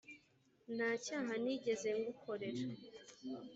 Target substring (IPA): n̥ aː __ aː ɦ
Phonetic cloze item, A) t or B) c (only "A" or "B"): B